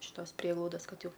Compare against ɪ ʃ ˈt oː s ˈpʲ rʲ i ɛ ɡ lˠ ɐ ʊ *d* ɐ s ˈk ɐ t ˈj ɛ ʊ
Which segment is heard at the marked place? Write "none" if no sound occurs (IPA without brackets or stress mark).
d